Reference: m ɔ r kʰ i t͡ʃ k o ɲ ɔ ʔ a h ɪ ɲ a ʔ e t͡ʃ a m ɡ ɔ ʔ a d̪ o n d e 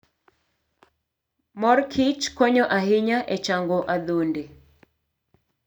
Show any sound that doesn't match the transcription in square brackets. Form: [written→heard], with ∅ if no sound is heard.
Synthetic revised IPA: m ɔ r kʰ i t͡ʃ k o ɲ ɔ ʔ a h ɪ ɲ a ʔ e t͡ʃ a [m→ŋ] ɡ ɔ ʔ a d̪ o n d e